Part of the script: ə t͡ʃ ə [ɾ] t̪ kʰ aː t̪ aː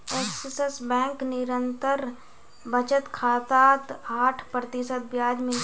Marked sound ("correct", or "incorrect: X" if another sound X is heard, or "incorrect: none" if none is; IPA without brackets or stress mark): incorrect: none